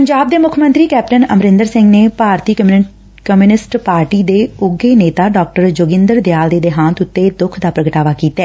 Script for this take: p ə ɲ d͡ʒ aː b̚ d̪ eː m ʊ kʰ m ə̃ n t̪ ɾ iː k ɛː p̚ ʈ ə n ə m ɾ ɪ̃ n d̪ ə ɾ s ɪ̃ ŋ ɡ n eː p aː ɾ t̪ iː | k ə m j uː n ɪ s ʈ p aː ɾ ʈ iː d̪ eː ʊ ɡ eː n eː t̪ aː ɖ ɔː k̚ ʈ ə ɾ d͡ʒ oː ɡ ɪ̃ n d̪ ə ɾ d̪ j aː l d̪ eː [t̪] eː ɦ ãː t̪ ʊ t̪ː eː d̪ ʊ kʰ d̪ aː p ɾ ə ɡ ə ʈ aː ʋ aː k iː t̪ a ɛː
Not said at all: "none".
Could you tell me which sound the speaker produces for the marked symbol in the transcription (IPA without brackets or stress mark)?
d̪